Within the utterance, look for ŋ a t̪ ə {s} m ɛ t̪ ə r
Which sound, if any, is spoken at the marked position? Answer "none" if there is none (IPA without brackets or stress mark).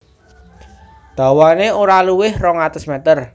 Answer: s